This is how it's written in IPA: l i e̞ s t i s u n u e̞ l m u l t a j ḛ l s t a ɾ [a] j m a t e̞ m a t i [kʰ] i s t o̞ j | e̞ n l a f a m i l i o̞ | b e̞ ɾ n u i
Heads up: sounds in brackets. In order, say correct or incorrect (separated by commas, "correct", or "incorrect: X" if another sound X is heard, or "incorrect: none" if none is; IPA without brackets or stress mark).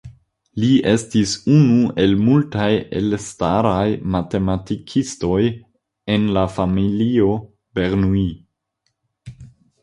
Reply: correct, correct